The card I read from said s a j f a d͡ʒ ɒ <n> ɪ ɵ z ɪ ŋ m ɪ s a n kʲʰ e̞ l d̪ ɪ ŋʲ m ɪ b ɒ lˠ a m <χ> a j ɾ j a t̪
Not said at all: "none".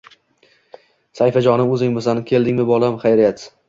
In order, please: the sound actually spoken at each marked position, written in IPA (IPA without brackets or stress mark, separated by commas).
n, χ